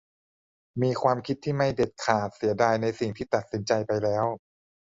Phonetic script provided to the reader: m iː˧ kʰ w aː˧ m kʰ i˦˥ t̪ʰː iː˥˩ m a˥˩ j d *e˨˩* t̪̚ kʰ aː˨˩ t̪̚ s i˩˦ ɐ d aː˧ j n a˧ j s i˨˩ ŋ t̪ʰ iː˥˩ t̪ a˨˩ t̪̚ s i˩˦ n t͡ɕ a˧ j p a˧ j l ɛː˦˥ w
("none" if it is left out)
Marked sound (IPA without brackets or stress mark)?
e˨˩